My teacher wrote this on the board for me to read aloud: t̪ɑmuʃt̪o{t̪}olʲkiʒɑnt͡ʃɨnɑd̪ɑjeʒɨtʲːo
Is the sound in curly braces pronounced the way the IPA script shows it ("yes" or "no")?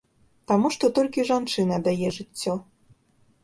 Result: yes